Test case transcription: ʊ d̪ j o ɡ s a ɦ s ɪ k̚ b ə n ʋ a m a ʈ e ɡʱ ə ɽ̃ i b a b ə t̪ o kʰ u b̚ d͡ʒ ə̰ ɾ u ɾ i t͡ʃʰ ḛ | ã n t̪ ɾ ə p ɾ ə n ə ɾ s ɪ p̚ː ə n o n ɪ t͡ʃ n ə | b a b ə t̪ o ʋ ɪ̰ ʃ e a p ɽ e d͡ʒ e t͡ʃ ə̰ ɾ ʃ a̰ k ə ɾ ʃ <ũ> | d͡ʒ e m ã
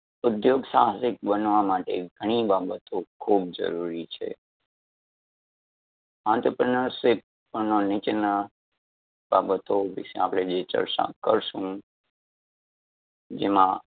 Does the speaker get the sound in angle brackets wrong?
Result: no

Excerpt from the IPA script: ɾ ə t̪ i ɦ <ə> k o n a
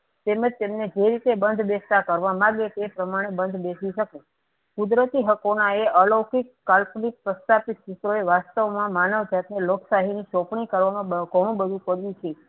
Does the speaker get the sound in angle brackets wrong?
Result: no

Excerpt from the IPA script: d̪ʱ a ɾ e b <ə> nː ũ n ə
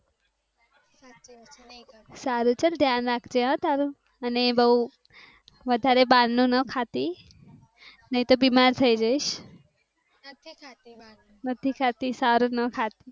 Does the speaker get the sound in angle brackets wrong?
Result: yes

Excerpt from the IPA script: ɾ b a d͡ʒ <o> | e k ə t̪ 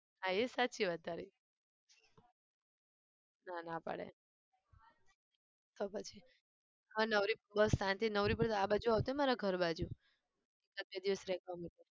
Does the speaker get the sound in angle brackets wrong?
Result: yes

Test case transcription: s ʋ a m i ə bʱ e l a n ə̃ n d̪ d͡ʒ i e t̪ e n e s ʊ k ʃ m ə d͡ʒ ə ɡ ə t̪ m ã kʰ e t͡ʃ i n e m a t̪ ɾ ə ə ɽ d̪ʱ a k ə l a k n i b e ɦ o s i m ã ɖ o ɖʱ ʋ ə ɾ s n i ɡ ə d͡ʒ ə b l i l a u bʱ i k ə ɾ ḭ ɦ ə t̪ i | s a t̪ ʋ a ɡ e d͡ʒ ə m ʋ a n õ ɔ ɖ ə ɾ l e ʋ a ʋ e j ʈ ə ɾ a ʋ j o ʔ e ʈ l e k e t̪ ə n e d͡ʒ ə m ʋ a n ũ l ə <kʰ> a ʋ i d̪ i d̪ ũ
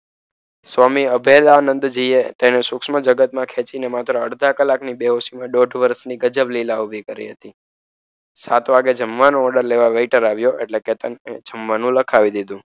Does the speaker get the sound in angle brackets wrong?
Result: no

